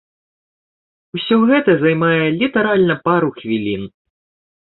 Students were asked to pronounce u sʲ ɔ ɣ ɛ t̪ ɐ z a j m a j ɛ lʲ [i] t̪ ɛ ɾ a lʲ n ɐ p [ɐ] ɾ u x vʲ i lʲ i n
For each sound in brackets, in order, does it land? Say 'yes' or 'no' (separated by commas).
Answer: yes, no